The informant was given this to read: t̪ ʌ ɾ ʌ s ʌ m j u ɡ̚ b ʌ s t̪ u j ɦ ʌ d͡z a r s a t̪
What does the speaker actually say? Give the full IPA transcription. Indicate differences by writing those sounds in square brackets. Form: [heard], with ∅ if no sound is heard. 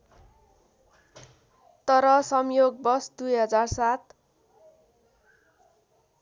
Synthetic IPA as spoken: t̪ ʌ ɾ ʌ s ʌ m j [o] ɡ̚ b ʌ s [d̪] u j ɦ ʌ d͡z a r s a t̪